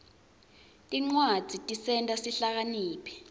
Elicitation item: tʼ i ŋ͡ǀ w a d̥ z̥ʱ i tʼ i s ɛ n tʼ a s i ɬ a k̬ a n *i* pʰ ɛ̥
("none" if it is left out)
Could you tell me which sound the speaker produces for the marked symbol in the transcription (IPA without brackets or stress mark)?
iː